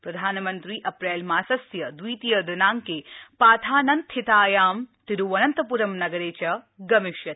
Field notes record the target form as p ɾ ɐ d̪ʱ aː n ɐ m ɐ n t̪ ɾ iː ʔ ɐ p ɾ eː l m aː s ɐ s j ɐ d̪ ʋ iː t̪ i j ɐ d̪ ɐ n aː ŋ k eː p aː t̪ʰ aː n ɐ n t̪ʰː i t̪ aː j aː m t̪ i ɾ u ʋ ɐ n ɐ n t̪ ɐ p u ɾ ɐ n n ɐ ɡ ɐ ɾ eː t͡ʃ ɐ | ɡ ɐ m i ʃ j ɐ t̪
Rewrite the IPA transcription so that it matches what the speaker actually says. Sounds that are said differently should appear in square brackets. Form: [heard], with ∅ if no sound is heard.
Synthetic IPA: p ɾ ɐ d̪ʱ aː n ɐ m ɐ n t̪ ɾ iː ʔ ɐ p ɾ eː l m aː s ɐ s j ɐ d̪ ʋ iː t̪ i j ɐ d̪ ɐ n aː ŋ k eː p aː t̪ʰ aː n ɐ n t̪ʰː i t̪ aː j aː m t̪ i ɾ u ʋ ɐ n ɐ n t̪ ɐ p u ɾ ɐ [m] n ɐ ɡ ɐ ɾ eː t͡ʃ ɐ | ɡ ɐ m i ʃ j ɐ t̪

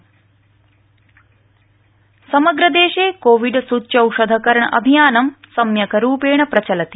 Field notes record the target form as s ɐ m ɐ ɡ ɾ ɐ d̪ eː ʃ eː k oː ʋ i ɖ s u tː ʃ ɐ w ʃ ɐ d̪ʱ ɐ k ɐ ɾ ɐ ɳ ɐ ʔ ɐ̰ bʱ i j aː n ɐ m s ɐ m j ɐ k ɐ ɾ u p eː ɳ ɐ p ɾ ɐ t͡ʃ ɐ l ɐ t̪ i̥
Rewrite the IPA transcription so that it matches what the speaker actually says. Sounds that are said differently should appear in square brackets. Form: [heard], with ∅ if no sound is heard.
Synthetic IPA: s ɐ m ɐ ɡ ɾ ɐ d̪ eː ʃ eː k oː ʋ i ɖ s u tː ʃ ɐ w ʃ ɐ d̪ʱ ɐ k ɐ ɾ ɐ ɳ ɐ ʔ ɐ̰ bʱ i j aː n ɐ m s ɐ m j ɐ k ɐ ɾ [uː] p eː ɳ ɐ p ɾ ɐ t͡ʃ ɐ l ɐ t̪ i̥

